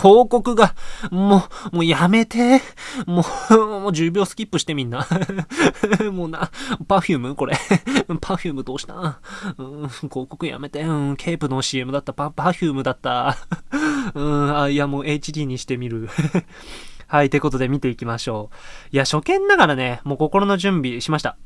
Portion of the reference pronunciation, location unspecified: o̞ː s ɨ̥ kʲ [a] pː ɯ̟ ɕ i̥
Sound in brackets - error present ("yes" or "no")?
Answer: yes